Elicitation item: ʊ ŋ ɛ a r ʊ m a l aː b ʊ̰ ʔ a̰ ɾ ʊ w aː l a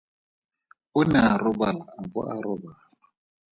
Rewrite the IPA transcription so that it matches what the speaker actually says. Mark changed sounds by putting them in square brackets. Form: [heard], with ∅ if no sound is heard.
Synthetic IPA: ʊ [n] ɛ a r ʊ [b] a l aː b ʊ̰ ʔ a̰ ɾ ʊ [b] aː l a